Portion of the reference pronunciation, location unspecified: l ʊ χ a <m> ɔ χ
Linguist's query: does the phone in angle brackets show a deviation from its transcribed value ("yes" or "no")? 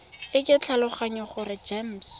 yes